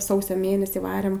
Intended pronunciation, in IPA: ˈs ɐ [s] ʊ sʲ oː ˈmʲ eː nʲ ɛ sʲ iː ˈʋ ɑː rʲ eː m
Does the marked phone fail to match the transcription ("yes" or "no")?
yes